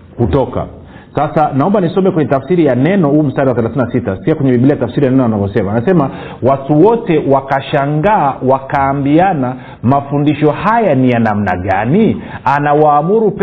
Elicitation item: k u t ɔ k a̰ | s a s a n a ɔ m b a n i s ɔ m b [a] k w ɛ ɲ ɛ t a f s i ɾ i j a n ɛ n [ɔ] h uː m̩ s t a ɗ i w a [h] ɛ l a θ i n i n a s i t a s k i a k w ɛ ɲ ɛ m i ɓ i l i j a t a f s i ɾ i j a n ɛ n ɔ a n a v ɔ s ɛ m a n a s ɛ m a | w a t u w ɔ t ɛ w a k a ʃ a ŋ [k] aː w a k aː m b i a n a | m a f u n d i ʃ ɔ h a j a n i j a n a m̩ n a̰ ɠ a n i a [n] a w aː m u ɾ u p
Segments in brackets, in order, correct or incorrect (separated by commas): incorrect, correct, incorrect, incorrect, correct